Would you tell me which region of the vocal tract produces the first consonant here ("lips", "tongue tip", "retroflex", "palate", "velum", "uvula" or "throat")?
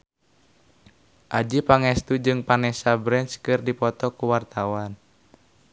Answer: throat